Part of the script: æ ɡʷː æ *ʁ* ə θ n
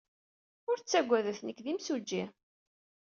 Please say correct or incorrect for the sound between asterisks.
incorrect